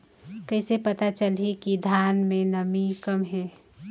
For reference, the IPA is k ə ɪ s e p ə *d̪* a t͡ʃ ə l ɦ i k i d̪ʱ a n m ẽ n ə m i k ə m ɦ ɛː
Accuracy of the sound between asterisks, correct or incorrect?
incorrect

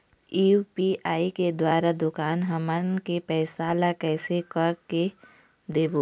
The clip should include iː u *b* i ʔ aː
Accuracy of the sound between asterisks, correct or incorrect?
incorrect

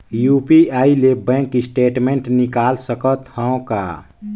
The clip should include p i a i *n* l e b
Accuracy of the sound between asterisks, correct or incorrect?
incorrect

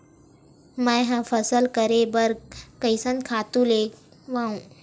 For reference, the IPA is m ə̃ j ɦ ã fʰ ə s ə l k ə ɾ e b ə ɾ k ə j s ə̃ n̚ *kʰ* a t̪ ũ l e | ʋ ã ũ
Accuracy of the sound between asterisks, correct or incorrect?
correct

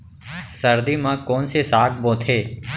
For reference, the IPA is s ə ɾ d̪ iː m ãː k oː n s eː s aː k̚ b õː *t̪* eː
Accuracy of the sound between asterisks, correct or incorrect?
incorrect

